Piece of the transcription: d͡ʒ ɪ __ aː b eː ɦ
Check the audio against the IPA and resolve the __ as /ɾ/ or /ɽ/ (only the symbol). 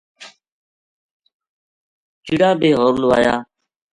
ɽ